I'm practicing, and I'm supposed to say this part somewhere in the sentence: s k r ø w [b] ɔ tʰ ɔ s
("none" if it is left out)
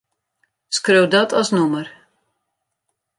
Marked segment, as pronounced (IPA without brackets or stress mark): d